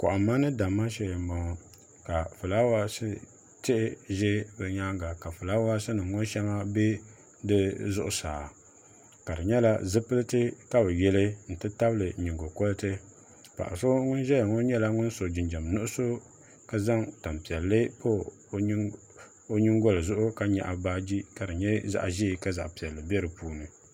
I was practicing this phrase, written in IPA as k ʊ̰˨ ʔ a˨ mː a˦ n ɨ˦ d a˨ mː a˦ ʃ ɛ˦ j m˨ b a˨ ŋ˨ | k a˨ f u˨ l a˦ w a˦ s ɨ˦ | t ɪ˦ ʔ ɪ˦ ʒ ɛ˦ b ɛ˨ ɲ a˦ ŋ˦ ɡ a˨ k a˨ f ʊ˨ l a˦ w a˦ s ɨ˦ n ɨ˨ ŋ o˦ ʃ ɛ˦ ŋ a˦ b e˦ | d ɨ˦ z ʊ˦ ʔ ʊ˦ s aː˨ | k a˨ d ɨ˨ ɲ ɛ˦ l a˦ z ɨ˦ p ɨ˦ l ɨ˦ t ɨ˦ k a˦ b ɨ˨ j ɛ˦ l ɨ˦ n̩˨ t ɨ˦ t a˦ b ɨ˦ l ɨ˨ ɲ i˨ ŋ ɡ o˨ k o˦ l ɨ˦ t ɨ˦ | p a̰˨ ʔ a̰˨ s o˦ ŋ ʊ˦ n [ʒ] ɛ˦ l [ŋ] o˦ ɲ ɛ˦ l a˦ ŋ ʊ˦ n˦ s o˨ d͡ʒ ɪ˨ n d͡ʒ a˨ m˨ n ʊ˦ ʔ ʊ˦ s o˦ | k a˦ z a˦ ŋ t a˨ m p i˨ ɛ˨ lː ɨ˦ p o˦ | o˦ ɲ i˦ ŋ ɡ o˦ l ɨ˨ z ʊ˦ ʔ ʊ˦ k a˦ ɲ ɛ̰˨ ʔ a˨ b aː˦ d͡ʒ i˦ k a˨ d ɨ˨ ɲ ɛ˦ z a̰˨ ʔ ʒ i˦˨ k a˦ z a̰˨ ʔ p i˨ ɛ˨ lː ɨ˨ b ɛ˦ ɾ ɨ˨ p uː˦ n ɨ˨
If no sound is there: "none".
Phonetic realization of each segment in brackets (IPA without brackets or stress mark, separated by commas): ʒ, ŋ